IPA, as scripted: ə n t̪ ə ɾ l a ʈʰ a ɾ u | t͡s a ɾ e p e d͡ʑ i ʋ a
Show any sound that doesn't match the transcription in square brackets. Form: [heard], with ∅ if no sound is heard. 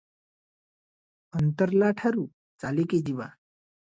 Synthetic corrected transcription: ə n t̪ ə ɾ l a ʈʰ a ɾ u | t͡s a [l] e [k] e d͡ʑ i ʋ a